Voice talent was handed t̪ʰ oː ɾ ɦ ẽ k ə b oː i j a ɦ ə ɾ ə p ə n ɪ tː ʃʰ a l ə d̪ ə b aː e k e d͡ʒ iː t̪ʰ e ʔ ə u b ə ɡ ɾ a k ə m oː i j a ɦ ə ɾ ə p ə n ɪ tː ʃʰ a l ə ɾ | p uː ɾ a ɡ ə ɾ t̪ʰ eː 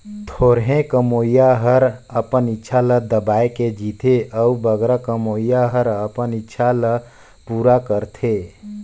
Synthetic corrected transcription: t̪ʰ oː ɾ ɦ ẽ k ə m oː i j a ɦ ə ɾ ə p ə n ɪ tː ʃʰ a l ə d̪ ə b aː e k e d͡ʒ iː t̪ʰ e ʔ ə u b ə ɡ ɾ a k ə m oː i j a ɦ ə ɾ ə p ə n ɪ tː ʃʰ a l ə | p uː ɾ a k ə ɾ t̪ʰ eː